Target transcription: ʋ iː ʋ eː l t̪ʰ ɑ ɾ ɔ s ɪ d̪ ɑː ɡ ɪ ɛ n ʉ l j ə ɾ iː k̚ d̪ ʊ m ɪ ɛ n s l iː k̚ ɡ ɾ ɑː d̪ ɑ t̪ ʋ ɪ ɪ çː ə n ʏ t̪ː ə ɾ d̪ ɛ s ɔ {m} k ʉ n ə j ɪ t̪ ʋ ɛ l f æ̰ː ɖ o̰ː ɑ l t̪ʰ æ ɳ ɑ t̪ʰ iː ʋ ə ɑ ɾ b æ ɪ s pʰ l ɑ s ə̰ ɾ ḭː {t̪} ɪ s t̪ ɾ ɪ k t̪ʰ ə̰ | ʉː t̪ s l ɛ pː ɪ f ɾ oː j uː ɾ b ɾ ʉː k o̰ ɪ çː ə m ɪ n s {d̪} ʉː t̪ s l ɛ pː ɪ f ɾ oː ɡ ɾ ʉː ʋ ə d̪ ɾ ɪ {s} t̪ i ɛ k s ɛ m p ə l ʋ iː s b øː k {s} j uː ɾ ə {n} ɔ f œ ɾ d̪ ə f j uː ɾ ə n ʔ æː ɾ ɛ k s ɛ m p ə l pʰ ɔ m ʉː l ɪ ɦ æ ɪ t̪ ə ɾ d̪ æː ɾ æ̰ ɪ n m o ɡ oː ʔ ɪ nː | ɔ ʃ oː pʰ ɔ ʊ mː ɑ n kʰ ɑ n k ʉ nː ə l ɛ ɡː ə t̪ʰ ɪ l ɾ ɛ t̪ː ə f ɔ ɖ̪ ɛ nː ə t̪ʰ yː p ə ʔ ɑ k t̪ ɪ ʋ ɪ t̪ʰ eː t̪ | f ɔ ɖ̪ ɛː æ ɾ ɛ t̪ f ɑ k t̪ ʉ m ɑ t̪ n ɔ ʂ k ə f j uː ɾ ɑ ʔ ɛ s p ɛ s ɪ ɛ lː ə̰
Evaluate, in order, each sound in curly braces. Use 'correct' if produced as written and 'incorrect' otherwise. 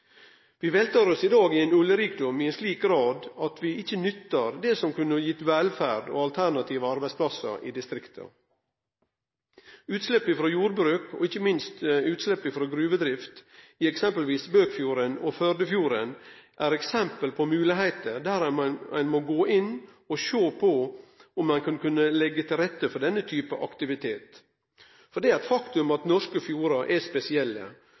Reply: correct, incorrect, incorrect, incorrect, incorrect, correct

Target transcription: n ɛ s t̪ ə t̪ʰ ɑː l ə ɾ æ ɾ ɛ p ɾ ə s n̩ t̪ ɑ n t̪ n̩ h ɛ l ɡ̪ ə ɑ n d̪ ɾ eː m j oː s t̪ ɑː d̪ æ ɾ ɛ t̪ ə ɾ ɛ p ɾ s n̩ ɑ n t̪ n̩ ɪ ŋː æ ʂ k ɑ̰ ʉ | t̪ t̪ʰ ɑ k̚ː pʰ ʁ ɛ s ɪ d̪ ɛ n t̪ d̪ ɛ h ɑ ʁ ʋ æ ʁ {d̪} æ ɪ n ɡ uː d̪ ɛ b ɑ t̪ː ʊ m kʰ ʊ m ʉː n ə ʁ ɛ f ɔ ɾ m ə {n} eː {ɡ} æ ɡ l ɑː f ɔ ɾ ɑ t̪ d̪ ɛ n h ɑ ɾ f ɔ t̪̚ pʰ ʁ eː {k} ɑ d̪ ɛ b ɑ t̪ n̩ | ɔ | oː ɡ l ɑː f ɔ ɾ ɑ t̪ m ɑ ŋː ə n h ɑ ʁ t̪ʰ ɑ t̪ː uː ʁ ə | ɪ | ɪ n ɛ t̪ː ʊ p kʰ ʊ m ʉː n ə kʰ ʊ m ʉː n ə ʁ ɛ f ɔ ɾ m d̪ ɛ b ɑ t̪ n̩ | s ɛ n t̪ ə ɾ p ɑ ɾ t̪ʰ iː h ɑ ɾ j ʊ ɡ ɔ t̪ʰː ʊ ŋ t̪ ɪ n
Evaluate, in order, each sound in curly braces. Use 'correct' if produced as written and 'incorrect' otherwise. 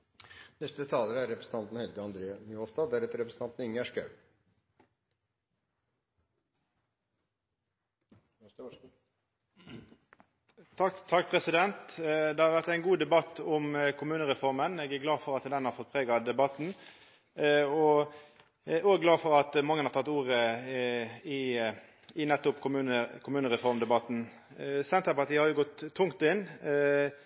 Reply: incorrect, correct, correct, incorrect

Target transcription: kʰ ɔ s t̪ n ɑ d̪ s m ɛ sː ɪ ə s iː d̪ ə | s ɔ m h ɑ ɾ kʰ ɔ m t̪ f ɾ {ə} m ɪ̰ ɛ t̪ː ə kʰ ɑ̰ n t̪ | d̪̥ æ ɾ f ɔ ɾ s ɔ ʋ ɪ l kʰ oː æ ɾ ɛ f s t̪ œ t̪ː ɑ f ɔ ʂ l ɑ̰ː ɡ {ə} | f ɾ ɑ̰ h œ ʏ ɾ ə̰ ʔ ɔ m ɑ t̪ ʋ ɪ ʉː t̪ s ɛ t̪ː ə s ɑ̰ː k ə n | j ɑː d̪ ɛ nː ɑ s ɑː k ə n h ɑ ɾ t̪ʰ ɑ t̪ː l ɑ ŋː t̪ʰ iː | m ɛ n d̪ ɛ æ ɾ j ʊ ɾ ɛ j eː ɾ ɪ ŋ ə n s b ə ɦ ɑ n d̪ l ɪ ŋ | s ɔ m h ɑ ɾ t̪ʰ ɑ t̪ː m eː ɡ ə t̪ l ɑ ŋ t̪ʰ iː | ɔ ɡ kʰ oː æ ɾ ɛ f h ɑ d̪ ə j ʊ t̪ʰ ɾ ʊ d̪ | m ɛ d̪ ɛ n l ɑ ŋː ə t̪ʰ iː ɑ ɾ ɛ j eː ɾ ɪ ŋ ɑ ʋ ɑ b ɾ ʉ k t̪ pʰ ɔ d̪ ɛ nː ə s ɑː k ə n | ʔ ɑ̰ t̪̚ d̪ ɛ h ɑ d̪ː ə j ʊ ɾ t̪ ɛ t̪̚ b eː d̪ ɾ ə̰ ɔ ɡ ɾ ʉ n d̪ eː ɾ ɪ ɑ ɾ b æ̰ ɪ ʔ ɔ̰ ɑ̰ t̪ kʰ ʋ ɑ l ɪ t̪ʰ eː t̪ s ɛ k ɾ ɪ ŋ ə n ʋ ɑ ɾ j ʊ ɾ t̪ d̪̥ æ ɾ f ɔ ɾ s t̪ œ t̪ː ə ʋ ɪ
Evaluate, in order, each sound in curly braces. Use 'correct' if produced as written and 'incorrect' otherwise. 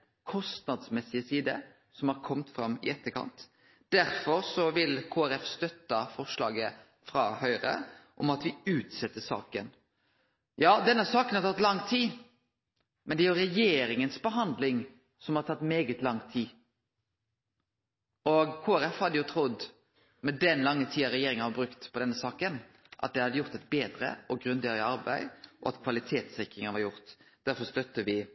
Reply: incorrect, correct

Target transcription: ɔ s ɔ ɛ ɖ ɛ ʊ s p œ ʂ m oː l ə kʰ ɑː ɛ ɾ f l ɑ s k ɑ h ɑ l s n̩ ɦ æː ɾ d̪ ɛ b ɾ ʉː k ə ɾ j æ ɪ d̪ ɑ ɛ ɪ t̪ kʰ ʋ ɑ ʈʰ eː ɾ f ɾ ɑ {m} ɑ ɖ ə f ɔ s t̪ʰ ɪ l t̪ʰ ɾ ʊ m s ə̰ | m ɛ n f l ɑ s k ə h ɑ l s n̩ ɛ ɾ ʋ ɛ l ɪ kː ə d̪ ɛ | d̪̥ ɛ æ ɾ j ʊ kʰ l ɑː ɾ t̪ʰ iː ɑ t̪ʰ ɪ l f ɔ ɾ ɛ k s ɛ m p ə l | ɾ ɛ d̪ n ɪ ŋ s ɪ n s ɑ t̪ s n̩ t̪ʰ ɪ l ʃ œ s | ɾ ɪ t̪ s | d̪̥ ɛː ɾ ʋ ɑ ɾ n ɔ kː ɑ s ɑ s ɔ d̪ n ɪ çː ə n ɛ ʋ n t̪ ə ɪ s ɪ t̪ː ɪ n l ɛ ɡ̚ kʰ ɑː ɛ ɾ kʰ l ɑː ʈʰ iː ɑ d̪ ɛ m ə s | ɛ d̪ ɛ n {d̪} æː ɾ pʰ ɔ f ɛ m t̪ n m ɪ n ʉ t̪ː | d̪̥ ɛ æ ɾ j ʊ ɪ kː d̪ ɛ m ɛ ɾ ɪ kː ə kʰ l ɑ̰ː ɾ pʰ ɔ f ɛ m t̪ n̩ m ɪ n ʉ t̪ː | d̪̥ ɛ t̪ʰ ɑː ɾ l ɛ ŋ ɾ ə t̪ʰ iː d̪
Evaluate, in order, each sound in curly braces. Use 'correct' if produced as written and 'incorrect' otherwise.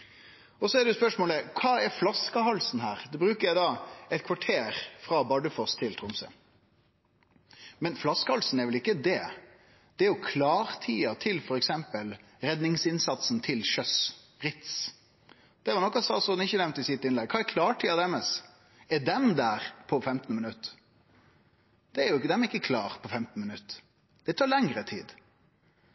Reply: incorrect, correct

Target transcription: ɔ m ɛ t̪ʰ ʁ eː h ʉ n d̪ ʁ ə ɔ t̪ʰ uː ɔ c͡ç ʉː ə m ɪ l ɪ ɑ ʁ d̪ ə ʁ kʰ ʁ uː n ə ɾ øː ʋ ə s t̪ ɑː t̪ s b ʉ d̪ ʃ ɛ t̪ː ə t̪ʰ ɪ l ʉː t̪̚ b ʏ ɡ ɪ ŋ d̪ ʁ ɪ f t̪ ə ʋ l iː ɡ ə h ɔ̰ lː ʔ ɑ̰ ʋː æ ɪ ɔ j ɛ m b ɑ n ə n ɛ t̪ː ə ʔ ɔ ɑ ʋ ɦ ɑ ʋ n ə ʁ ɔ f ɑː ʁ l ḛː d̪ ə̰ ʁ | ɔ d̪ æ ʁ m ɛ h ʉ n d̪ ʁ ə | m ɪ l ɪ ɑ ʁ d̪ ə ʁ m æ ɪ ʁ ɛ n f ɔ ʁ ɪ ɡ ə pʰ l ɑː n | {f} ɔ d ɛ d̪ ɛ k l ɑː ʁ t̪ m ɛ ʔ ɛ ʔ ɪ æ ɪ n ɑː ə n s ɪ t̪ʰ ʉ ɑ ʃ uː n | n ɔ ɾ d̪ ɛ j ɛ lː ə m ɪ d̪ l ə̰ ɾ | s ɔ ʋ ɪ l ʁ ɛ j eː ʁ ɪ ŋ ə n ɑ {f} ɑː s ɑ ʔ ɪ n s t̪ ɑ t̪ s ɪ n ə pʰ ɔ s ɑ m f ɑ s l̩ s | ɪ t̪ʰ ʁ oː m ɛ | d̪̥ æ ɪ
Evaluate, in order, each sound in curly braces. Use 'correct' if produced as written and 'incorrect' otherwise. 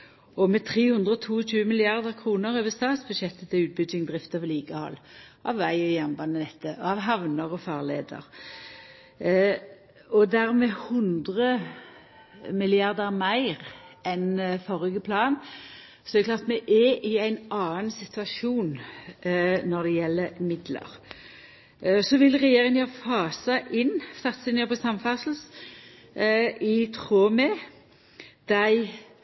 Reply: incorrect, correct

